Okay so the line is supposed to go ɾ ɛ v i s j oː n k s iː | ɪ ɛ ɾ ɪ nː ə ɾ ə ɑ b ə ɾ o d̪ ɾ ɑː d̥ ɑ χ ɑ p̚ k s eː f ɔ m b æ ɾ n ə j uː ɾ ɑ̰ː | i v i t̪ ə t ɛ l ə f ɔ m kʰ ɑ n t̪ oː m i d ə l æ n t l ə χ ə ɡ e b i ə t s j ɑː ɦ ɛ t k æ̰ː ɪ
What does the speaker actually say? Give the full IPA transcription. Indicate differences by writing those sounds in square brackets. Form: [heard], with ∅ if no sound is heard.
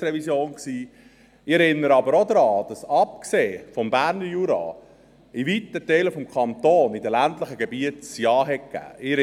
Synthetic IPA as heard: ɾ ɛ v i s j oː n k s iː | ɪ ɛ ɾ ɪ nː ə ɾ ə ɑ b ə ɾ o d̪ ɾ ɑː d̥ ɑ [s] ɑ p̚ k s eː f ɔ m b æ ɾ n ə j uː ɾ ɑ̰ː | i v i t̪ ə t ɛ l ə f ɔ m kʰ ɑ n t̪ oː [n] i d ə l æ n t l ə χ ə ɡ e b i ə t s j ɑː ɦ ɛ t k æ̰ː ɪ